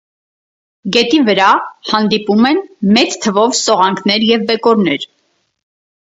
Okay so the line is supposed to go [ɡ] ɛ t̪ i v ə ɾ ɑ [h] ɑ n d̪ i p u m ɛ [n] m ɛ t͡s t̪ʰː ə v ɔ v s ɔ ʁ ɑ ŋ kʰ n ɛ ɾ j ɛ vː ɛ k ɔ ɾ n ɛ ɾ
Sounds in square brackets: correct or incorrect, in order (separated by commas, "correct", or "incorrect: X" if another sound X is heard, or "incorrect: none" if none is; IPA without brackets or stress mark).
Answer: correct, correct, correct